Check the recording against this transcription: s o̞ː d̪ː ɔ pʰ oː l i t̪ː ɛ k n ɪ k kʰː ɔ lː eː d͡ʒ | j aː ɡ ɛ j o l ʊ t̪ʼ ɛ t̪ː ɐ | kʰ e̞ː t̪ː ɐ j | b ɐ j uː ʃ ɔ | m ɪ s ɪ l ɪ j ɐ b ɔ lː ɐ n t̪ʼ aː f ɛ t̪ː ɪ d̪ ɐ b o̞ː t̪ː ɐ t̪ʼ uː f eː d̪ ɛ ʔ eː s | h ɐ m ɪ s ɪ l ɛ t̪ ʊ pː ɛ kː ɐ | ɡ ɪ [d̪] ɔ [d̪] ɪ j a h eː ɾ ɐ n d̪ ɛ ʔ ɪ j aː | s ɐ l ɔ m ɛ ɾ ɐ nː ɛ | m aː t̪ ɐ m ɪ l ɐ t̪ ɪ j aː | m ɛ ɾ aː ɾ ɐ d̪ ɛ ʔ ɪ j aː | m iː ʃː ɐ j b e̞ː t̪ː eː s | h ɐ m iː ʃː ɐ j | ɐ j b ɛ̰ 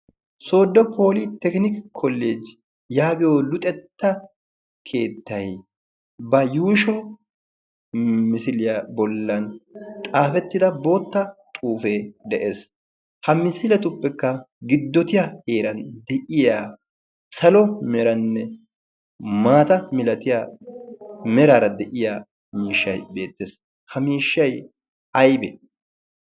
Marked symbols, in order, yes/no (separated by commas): no, no